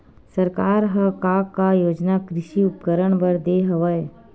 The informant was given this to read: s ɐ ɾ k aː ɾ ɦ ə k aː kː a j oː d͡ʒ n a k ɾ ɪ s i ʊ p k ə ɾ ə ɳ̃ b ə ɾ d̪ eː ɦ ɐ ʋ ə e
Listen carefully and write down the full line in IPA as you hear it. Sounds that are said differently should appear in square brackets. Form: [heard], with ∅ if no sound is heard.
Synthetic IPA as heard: s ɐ ɾ k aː ɾ ɦ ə k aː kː a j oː d͡ʒ n a k ɾ ɪ [ʃ] i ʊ p k ə ɾ ə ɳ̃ b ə ɾ d̪ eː ɦ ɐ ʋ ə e